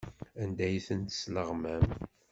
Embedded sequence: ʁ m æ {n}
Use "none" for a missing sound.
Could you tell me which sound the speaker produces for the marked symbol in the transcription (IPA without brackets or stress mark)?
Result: m